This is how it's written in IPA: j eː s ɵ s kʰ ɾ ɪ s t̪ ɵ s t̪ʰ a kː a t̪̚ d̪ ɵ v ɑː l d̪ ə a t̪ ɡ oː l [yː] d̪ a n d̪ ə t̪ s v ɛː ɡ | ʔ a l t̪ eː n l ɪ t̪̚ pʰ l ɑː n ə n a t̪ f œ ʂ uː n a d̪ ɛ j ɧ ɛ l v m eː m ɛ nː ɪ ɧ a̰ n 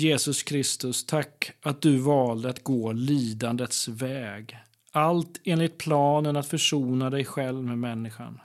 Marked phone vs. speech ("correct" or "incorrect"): incorrect